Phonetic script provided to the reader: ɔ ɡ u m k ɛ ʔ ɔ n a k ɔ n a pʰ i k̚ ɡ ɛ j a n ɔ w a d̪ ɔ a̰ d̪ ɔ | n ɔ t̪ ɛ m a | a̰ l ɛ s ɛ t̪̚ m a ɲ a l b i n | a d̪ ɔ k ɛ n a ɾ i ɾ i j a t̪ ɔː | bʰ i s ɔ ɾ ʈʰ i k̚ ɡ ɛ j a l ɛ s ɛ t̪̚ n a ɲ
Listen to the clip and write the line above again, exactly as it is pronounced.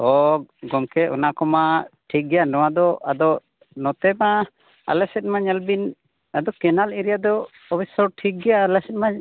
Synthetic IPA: ɔ ɡ ɔ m k ɛ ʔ ɔ n a k ɔ m a ʈʰ i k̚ ɡ ɛ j a n ɔ w a d̪ ɔ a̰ d̪ ɔ | n ɔ t̪ ɛ m a | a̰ l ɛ s ɛ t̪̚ m a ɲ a l b i n | a d̪ ɔ k ɛ n a l i ɾ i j a d̪ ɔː | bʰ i s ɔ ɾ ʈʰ i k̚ ɡ ɛ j a l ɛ s ɛ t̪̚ m a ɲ